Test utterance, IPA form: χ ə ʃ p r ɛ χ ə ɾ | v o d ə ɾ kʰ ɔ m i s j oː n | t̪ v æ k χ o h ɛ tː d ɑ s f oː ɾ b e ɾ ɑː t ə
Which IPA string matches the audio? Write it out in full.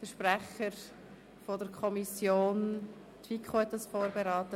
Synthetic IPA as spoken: f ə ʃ p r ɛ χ ə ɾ | f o d ə ɾ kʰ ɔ m i s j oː n | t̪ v i k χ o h ɛ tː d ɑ s f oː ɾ b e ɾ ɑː t ə